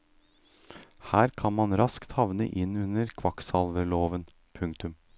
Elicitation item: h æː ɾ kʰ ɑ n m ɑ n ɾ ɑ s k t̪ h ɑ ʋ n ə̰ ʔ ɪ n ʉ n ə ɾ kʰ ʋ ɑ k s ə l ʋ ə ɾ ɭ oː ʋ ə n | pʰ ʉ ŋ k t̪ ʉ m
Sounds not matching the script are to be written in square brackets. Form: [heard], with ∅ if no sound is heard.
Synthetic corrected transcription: h æː ɾ kʰ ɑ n m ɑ n ɾ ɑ s k t̪ h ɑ ʋ n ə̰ ʔ ɪ n ʉ n ə ɾ kʰ ʋ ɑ k s [ɑ] l ʋ ə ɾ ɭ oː ʋ ə n | pʰ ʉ ŋ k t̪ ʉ m